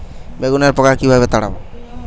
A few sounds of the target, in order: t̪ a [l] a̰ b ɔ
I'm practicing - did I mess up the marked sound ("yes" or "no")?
yes